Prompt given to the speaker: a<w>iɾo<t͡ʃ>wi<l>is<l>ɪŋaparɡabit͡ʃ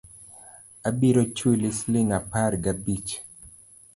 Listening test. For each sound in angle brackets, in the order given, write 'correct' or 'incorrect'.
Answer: incorrect: b, correct, correct, correct

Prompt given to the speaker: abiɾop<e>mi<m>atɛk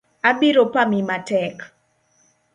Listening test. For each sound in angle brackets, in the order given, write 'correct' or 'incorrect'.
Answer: incorrect: a, correct

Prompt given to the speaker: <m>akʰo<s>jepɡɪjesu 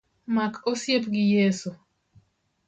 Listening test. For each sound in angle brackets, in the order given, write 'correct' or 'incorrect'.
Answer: correct, correct

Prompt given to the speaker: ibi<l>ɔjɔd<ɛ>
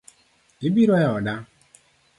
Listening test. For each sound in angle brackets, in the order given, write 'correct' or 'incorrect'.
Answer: incorrect: ɾ, incorrect: a

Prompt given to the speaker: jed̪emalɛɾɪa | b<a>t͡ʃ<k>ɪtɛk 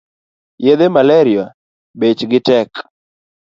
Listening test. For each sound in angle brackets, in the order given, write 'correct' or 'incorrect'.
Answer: incorrect: e, incorrect: ɡ

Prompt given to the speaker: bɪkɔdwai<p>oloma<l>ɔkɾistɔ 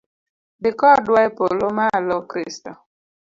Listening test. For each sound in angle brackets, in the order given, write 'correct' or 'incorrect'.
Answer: correct, correct

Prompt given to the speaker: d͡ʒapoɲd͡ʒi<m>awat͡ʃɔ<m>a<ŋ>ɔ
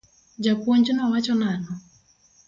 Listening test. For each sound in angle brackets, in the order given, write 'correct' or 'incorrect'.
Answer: incorrect: n, incorrect: n, incorrect: n

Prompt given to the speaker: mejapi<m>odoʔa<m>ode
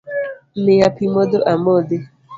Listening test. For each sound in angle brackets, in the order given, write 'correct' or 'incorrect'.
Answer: correct, correct

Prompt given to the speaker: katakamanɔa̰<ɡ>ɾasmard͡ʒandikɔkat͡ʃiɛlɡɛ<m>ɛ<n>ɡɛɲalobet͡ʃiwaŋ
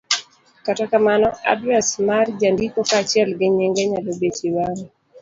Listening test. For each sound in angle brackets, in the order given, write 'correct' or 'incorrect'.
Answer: incorrect: d, incorrect: ɲ, incorrect: ŋ

